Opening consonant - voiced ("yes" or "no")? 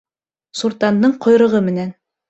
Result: no